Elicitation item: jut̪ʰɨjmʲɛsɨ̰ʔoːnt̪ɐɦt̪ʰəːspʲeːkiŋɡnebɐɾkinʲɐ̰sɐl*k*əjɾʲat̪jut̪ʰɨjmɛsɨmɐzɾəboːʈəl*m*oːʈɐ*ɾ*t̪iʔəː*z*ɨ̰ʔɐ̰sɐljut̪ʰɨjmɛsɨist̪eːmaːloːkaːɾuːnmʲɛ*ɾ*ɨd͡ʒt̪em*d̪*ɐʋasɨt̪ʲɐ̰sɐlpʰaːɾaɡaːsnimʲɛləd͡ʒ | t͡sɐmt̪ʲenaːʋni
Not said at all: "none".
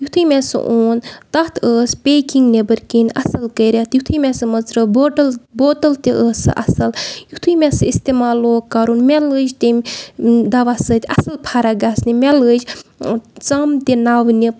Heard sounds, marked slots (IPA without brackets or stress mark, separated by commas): k, b, l, s, l, d̪